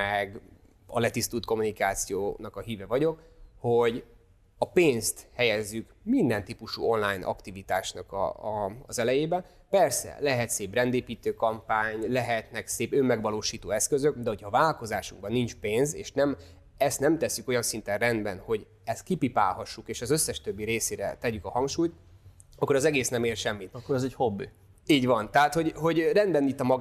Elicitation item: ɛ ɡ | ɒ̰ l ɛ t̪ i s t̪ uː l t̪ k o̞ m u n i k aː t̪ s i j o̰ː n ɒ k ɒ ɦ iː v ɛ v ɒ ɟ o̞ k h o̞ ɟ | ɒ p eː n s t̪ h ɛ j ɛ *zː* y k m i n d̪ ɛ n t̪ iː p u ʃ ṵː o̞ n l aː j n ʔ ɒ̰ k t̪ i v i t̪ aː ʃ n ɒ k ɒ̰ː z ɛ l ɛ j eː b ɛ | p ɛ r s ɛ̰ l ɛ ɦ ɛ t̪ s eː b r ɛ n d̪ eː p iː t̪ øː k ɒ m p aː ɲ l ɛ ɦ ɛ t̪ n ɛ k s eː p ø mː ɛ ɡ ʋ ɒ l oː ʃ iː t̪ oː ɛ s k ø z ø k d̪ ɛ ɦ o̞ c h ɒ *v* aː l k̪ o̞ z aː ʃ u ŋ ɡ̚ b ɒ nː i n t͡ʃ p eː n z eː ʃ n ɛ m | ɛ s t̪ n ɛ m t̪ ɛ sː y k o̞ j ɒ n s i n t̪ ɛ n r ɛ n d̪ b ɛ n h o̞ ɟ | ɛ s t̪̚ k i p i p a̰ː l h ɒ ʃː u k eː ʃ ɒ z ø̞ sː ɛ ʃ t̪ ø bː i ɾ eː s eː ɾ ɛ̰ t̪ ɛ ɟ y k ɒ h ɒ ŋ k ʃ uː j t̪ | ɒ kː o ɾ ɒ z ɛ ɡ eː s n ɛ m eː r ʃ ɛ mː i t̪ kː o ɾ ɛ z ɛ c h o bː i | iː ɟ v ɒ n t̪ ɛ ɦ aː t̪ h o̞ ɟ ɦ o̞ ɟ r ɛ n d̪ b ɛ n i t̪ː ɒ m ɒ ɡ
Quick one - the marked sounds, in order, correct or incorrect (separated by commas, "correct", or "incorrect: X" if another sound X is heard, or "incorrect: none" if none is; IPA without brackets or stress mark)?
correct, correct